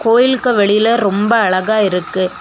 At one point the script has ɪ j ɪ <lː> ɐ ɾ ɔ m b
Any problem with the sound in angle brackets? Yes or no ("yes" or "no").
yes